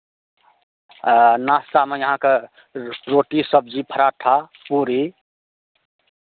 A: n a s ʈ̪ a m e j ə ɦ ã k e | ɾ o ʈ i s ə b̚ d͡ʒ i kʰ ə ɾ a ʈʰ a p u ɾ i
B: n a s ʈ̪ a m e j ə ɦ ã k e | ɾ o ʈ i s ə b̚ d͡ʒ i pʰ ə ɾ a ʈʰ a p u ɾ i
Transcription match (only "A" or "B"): B